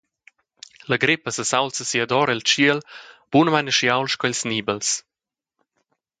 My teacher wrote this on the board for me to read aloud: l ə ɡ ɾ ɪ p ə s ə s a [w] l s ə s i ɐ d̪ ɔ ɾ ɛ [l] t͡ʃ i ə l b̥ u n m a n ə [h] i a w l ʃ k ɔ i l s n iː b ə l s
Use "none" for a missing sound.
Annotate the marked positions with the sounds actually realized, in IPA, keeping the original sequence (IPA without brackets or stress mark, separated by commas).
w, l, ʃ